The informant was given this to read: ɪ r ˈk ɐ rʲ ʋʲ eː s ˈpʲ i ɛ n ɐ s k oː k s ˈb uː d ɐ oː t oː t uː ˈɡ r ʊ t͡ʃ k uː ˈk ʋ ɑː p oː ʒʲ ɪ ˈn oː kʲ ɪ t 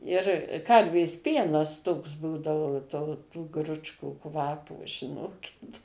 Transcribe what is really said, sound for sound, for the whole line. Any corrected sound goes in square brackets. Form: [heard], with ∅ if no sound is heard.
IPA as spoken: ɪ r ˈk ɐ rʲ ʋʲ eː s ˈpʲ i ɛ n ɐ s [t] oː k s ˈb uː d ɐ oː t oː t uː ˈɡ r ʊ t͡ʃ k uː ˈk ʋ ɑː p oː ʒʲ ɪ ˈn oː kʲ ɪ t